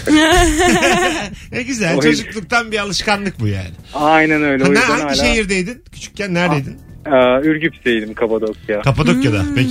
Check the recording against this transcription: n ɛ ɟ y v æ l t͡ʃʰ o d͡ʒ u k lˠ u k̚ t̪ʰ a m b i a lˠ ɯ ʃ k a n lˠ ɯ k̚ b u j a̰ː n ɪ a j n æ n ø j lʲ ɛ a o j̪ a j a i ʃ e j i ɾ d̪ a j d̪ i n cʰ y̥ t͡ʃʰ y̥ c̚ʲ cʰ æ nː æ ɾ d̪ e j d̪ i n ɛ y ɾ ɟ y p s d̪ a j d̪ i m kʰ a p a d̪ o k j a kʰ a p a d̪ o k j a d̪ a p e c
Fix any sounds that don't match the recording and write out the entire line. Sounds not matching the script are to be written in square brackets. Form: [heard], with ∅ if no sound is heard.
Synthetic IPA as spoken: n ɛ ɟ y [z] æ l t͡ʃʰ o d͡ʒ u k lˠ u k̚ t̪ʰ a [n] b i a lˠ ɯ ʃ k a n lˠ ɯ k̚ b u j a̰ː n ɪ a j n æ n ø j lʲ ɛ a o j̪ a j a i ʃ e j i ɾ d̪ [e] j d̪ i n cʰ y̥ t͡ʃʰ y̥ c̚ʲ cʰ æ nː æ ɾ d̪ e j d̪ i n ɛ y ɾ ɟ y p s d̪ [e] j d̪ i m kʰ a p a d̪ o k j a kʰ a p a d̪ o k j a d̪ a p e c